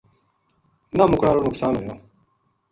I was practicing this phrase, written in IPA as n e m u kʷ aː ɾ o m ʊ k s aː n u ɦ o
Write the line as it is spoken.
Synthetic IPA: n a m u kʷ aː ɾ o n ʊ k s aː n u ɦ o